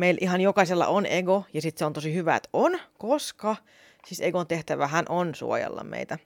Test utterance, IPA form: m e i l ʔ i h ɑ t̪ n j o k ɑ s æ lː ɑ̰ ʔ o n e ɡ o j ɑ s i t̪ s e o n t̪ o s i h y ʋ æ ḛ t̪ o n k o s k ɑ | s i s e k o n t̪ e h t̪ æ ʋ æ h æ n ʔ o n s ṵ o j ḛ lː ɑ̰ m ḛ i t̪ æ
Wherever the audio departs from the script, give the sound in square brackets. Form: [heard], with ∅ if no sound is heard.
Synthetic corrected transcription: m e i l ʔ i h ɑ [∅] n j o k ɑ s [e] lː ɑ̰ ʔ o n e ɡ o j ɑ s i t̪ s e o n t̪ o s i h y ʋ æ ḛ t̪ o n k o s k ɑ | s i s e [ɡ] o n t̪ e h t̪ æ ʋ æ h æ n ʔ o n s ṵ o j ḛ lː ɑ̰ m ḛ i t̪ æ